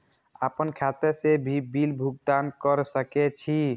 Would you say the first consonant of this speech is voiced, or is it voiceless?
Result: voiceless